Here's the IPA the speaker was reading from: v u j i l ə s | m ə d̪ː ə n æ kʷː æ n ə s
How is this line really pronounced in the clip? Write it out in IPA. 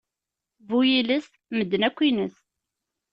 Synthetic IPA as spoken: v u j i l ə s | m ə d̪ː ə n æ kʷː i n ə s